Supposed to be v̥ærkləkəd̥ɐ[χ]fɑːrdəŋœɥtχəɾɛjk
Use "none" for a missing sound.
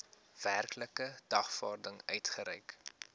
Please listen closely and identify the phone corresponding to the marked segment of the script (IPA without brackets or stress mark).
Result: χ